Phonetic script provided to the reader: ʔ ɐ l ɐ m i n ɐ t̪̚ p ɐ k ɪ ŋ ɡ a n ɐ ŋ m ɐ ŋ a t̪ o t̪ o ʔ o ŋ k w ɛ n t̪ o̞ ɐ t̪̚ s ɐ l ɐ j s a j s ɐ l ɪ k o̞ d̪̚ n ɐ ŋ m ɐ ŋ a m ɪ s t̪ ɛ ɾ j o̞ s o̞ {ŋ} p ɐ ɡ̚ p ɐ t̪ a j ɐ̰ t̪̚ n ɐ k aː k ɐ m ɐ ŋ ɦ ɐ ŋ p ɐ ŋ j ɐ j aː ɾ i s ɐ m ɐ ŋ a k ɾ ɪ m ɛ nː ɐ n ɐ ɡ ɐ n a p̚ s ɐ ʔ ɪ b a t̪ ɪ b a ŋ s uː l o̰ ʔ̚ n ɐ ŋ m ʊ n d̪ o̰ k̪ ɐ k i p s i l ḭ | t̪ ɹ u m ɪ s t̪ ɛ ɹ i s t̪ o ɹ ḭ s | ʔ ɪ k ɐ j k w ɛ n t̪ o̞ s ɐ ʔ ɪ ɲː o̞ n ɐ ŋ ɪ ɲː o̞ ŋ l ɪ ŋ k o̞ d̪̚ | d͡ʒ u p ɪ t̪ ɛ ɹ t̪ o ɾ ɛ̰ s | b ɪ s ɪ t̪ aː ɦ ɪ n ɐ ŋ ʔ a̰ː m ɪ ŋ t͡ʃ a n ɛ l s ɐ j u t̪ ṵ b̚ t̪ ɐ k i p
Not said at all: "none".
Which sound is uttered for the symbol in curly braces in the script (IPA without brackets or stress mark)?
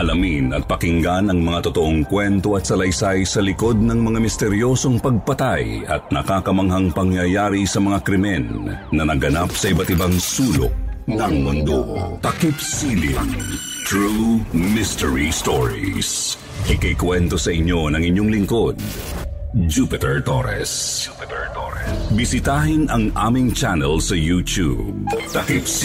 ŋ